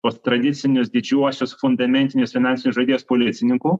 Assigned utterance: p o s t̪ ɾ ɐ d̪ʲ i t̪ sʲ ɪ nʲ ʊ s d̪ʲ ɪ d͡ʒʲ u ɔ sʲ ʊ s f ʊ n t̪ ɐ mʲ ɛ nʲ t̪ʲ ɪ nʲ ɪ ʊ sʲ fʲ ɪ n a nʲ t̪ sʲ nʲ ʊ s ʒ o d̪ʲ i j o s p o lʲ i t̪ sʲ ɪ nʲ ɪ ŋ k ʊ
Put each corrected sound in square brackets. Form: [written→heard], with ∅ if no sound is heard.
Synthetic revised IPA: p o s t̪ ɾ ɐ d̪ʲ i t̪ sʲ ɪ nʲ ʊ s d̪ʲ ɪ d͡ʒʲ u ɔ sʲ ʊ s f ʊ n [t̪→d̪] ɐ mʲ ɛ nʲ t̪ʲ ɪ nʲ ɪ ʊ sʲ fʲ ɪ n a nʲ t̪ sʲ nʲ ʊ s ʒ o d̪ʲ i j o s p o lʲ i t̪ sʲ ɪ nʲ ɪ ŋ k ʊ